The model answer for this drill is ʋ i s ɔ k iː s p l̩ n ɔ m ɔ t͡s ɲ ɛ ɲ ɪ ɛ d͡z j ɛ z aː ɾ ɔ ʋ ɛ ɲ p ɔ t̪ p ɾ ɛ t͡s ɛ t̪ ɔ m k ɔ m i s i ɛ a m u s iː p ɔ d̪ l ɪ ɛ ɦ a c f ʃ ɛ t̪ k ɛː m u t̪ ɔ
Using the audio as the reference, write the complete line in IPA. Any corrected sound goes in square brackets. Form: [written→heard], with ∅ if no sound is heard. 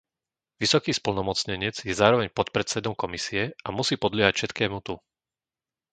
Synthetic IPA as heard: ʋ i s ɔ k iː s p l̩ n ɔ m ɔ t͡s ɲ ɛ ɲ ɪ ɛ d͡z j ɛ z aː ɾ ɔ ʋ ɛ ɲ p ɔ t̪ p ɾ ɛ t͡s ɛ [t̪→d̪] ɔ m k ɔ m i s i ɛ a m u s iː p ɔ d̪ l ɪ ɛ ɦ a c f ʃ ɛ t̪ k ɛː m u t̪ [ɔ→u]